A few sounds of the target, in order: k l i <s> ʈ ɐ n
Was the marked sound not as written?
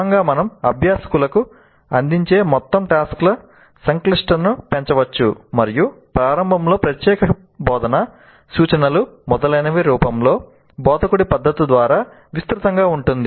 yes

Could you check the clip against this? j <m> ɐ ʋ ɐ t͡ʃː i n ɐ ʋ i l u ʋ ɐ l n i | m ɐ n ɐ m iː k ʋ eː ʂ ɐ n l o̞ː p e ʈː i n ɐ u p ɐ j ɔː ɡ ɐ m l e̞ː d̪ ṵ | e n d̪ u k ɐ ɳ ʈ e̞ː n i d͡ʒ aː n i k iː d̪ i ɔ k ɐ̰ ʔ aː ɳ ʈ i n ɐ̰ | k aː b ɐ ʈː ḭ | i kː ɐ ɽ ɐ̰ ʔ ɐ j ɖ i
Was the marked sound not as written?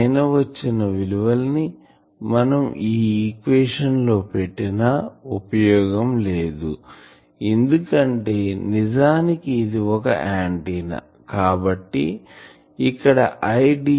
yes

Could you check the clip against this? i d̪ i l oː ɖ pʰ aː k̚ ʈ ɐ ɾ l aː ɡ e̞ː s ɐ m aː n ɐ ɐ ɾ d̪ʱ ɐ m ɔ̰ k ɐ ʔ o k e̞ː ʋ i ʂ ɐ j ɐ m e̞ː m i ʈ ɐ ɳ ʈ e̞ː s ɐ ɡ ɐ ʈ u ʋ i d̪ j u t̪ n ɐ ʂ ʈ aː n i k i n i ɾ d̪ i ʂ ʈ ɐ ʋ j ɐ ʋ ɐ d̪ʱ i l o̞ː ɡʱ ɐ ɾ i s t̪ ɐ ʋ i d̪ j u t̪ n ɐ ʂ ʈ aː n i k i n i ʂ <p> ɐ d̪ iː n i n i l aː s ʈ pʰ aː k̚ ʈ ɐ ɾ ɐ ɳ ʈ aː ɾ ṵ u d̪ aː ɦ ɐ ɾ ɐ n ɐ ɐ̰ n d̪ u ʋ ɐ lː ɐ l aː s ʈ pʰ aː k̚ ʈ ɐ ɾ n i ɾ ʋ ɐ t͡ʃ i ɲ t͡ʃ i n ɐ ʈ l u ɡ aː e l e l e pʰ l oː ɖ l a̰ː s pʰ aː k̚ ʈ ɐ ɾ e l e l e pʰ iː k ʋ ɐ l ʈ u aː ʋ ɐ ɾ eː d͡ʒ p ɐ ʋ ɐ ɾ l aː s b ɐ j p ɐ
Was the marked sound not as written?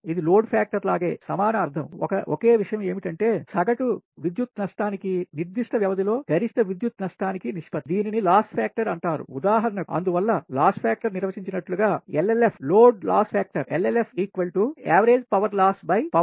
no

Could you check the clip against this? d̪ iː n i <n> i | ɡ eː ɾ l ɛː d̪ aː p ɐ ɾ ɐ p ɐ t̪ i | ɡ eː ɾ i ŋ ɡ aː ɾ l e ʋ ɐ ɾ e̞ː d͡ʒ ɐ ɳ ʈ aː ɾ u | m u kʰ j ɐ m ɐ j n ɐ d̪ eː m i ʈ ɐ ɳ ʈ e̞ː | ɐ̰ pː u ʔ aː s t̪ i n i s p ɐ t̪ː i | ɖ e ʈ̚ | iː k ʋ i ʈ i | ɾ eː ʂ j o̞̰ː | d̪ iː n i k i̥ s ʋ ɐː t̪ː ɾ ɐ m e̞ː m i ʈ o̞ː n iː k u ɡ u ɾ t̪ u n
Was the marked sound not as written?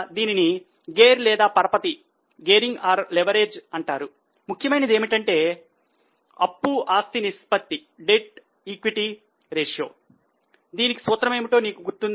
no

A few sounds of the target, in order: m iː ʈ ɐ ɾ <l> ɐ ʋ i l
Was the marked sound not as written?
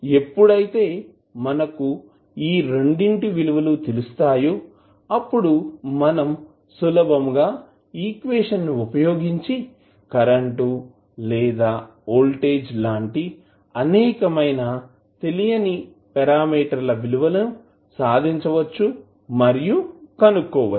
no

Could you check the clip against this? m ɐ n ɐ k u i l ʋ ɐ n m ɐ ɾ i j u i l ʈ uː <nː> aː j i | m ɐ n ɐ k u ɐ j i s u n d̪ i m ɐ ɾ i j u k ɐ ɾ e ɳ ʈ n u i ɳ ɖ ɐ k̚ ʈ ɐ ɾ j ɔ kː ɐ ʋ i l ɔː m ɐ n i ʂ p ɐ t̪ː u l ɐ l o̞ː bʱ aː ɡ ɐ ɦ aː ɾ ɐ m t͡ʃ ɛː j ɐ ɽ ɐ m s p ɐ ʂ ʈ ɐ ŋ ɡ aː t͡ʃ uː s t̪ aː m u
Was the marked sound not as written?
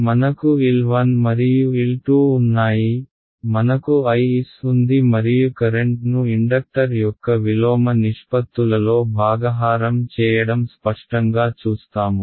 no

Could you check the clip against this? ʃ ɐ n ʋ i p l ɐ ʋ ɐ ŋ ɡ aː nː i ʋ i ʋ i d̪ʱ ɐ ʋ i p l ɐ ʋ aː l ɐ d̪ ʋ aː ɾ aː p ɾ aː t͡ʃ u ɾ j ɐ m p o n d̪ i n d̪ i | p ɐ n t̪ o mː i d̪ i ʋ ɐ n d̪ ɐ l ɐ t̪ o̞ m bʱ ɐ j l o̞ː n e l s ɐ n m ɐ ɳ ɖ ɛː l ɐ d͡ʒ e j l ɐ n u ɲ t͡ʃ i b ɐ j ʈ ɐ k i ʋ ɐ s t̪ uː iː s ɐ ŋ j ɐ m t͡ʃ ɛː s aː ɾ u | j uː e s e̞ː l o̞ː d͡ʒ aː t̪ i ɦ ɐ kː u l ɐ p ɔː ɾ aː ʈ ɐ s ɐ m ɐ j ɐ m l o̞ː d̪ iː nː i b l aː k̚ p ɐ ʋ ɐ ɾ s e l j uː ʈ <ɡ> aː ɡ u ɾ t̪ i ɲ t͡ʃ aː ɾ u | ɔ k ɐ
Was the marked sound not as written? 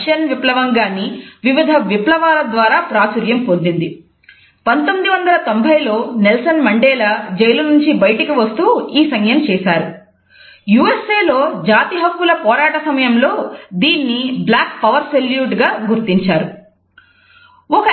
no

